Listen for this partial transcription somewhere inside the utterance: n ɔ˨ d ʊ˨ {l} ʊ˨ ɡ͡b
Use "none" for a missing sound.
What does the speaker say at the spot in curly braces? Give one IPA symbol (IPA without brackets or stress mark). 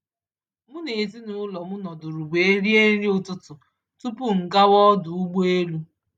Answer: ɾ